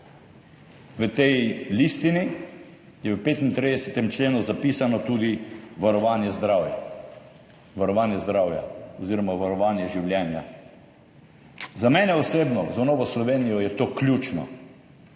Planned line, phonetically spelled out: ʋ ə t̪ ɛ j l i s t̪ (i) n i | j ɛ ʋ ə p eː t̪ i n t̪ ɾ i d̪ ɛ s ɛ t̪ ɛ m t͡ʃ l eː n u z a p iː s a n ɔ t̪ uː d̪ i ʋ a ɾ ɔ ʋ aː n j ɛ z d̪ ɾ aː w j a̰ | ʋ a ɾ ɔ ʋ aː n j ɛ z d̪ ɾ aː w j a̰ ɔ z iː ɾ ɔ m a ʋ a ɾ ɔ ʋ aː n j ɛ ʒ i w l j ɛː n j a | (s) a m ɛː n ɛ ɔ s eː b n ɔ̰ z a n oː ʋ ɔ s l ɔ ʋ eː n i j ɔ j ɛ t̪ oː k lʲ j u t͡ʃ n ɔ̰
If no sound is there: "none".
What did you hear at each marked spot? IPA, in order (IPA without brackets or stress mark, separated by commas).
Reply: i, z